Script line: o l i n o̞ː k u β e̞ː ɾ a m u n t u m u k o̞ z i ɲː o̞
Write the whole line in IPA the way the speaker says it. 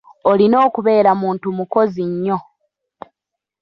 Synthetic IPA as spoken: o l i n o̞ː k u β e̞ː ɾ a m uː n t u m u k o̞ z i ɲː o̞

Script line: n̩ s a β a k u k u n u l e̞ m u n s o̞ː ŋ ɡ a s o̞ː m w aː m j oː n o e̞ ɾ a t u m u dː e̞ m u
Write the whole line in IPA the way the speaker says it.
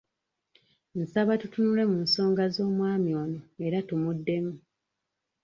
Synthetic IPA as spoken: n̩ s a β a t u t u n u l e̞ m u n s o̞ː ŋ ɡ a z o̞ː m w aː m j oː n o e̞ ɾ a t u m u dː e̞ m u

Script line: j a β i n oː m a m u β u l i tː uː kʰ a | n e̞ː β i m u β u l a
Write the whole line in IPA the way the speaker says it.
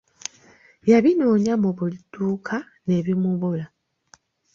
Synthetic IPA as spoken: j a β i n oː ɲ a m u β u l i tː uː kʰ a | n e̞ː β i m u β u l a

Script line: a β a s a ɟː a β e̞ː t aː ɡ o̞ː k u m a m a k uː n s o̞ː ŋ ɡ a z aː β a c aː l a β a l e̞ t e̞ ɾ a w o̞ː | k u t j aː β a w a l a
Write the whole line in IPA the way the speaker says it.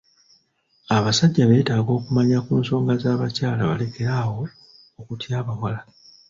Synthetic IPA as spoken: a β a s a ɟː a β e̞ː t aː ɡ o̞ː k u m a ɲ a k uː n s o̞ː ŋ ɡ a z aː β a c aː l a β a l e̞ k e̞ ɾ a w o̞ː | k u t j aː β a w a l a

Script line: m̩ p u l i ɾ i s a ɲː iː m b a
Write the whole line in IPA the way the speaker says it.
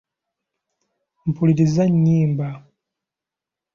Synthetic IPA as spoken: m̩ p u l i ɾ i z a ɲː iː m b a

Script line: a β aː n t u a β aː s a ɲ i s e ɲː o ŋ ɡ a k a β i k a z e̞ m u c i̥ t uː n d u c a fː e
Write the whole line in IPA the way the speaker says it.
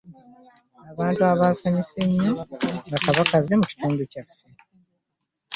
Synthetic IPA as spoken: a β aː n t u a β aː s a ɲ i s e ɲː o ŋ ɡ a k a β a k a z e̞ m u c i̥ t uː n d u c a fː e

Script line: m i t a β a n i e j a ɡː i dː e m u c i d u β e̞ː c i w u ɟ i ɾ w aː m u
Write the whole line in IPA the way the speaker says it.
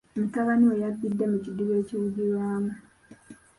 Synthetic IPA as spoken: m i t a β a n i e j a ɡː i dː e m u c i d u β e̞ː c i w u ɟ i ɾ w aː m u

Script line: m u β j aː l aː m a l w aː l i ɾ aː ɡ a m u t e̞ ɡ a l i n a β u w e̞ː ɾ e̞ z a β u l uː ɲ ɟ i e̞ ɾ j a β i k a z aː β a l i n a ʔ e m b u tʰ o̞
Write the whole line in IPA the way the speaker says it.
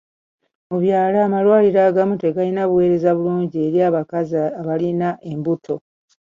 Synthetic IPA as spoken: m u β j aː l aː m a l w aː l i ɾ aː ɡ a m u t e̞ ɡ a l i n a β u w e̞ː ɾ e̞ z a β u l uː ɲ ɟ i e̞ ɾ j a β a k a z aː β a l i n a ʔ e m b u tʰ o̞

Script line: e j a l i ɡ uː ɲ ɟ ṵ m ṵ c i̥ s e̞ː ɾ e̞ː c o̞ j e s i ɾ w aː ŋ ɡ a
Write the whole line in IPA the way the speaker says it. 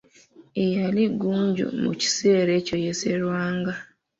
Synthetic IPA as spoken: e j a l i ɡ uː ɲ ɟ ṵ m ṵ c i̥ s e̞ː ɾ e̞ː c o̞ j e s e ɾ w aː ŋ ɡ a

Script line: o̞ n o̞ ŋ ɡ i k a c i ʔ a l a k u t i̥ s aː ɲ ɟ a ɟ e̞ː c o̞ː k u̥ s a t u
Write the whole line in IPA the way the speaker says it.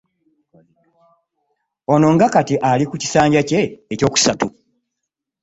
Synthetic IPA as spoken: o̞ n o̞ ŋ ɡ a k a t i ʔ a l i k u c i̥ s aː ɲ ɟ a c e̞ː c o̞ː k u̥ s a t u

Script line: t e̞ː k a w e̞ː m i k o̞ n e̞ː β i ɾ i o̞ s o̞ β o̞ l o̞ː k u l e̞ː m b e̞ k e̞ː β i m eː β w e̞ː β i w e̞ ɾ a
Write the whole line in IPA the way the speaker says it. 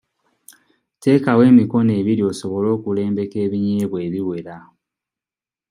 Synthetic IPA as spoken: t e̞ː k a w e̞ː m i k o̞ n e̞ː β i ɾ i o̞ s o̞ β o̞ l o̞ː k u l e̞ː m b e̞ k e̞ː β i ɲ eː β w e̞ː β i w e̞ ɾ a

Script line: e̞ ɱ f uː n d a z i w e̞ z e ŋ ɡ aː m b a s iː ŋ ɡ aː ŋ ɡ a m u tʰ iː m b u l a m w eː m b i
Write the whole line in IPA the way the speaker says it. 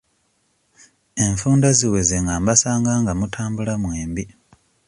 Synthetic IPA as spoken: e̞ ɱ f uː n d a z i w e̞ z e ŋ ɡ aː m b a s aː ŋ ɡ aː ŋ ɡ a m u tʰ aː m b u l a m w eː m b i

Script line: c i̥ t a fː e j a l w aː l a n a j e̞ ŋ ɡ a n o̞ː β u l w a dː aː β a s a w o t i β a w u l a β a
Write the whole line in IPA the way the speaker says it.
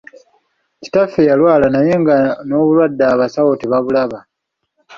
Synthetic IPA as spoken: c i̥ t a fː e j a l w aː l a n a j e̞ ŋ ɡ a n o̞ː β u l w a dː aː β a s a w o t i β a β u l a β a

